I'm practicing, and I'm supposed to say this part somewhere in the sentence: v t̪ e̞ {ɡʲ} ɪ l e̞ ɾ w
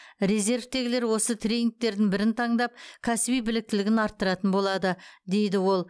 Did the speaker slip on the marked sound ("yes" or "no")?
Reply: no